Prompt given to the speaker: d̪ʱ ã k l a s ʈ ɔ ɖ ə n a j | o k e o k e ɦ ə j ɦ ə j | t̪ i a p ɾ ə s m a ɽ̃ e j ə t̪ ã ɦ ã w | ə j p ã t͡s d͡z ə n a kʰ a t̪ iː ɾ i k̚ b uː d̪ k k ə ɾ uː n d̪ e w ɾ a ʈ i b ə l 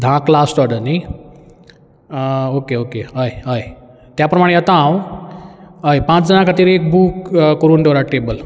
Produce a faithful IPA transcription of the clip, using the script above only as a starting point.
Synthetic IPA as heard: d̪ʱ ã k l a s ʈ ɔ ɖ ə n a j | o k e o k e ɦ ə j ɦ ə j | t̪ j a p ɾ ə m a ɽ̃ e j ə t̪ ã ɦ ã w | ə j p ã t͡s d͡z ə n a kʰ a t̪ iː ɾ e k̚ b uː k k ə ɾ uː n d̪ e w ɾ a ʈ e b ə l